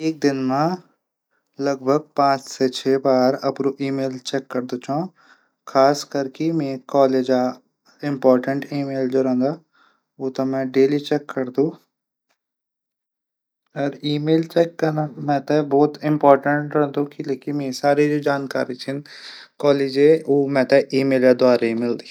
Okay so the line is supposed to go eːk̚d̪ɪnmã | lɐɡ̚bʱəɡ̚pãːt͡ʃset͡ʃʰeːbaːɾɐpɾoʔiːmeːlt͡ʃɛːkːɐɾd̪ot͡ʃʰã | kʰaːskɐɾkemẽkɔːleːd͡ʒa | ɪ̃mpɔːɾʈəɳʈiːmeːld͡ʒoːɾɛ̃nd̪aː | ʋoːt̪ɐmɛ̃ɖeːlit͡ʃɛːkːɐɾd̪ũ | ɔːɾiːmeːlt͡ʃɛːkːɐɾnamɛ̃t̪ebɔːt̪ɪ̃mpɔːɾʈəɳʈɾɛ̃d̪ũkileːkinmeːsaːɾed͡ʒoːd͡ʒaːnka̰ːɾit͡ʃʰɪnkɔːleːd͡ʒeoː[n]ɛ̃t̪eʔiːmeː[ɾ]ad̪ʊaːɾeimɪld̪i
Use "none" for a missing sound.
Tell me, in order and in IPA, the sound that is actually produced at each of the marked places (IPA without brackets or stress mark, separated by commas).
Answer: m, l